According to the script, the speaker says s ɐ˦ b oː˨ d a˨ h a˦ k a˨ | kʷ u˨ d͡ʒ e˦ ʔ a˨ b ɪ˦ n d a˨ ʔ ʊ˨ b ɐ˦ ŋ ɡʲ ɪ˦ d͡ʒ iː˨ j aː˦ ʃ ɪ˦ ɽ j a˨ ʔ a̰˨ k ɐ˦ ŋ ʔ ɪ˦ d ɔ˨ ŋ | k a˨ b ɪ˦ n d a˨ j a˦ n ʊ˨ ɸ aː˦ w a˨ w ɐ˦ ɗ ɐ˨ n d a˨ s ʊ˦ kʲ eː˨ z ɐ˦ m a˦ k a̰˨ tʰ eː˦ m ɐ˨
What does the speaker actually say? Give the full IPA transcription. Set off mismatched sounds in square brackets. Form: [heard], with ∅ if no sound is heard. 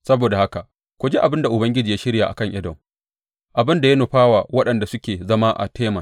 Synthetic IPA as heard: s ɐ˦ b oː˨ d a˨ h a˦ k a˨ | kʷ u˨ d͡ʒ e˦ ʔ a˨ b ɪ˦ n d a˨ ʔ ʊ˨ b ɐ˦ ŋ ɡʲ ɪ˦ d͡ʒ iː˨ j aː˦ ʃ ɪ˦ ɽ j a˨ ʔ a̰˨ k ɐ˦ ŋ ʔ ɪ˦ d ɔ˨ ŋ | [ʔ] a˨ b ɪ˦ n d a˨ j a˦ n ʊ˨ ɸ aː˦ w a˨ w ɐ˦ ɗ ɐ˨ n d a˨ s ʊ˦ kʲ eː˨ z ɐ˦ m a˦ [ʔ] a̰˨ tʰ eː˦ m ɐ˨

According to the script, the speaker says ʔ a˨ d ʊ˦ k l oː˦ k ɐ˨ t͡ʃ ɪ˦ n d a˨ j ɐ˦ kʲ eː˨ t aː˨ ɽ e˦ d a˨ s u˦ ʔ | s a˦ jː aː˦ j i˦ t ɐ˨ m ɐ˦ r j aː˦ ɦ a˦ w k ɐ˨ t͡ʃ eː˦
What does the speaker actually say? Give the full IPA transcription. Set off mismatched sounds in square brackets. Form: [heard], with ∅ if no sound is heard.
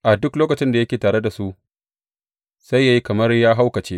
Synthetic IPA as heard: ʔ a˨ d ʊ˦ k l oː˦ k ɐ˨ t͡ʃ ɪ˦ n d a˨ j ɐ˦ kʲ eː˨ t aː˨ ɽ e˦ d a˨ s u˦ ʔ | s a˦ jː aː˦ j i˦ [k] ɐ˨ m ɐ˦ r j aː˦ ɦ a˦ w k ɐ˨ t͡ʃ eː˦

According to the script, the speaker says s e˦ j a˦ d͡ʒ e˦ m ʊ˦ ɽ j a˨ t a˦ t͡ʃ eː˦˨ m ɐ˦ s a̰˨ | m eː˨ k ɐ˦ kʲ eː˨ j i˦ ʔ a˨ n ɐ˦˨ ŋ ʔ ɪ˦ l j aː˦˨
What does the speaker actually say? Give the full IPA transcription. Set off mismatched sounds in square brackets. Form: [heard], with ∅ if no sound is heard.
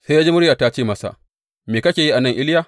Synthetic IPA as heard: s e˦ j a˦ d͡ʒ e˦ m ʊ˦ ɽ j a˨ t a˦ t͡ʃ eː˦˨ m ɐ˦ s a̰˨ | m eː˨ k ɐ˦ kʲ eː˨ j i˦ ʔ a˨ n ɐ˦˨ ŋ ʔ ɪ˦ l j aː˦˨

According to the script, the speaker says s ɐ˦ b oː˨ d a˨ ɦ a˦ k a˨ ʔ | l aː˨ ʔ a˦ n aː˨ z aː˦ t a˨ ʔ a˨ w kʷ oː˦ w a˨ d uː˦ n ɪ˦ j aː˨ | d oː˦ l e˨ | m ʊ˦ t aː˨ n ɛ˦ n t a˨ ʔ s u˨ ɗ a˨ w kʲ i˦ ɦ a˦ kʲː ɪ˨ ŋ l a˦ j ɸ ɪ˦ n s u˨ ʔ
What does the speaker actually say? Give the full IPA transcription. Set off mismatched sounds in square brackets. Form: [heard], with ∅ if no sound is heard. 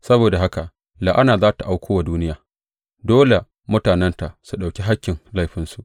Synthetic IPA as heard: s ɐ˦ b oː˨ d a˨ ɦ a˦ k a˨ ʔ | l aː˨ ʔ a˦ n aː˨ z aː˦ t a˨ ʔ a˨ w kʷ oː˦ w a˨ d uː˦ n ɪ˦ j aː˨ | d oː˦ l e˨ | m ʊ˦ t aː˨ n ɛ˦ n t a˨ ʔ s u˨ ɗ a˨ w kʲ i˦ ɦ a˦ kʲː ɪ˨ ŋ l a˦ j ɸ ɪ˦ n s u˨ ʔ

